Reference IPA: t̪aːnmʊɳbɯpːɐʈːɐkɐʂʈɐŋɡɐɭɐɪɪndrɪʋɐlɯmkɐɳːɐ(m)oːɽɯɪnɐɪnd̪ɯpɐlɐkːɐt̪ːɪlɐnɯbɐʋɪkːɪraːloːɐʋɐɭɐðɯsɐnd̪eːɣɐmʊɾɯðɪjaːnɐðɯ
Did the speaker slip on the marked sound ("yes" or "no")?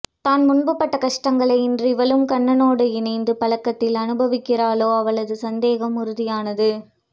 yes